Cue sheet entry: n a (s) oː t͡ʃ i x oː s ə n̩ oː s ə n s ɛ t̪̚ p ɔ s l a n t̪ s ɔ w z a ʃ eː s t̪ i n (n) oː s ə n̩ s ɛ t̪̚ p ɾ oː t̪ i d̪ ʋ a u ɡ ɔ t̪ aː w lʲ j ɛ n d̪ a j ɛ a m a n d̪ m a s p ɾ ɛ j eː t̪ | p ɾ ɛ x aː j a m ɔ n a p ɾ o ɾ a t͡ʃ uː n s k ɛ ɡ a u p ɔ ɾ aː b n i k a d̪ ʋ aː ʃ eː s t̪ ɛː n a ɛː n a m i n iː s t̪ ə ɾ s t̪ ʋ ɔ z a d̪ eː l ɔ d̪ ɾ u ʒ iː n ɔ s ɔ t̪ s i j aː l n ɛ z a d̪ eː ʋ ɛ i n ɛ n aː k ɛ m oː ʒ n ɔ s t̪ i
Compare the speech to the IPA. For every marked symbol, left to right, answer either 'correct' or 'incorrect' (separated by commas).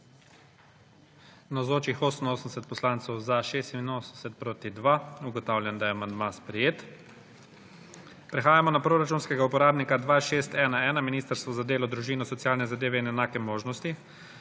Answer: incorrect, correct